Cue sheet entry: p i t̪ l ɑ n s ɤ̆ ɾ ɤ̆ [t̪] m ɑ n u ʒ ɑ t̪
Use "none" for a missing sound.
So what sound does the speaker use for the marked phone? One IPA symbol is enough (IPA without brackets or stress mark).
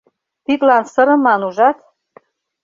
none